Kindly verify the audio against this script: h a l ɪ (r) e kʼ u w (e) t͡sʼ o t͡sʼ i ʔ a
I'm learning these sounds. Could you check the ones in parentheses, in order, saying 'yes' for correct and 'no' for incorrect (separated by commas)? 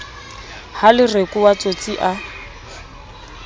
yes, no